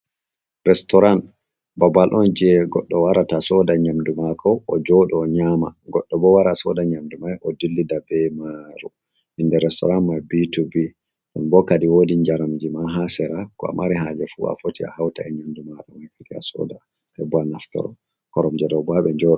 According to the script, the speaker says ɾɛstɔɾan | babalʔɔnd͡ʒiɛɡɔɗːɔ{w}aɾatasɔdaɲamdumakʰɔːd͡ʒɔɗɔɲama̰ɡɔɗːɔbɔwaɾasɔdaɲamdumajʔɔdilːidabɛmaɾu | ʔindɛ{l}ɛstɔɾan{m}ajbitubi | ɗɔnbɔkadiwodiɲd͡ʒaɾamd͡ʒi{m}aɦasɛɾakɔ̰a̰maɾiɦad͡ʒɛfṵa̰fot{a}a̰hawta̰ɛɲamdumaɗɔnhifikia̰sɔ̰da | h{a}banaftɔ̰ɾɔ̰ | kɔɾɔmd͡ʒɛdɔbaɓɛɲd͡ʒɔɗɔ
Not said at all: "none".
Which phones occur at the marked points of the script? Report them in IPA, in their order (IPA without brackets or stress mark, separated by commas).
w, ɾ, m, m, i, ɛ